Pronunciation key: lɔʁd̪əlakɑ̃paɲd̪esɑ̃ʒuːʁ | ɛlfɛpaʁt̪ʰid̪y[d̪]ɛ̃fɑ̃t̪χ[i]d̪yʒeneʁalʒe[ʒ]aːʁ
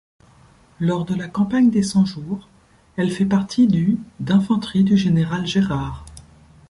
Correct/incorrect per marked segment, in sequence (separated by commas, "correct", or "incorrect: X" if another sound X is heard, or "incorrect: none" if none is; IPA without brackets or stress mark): correct, correct, incorrect: ʁ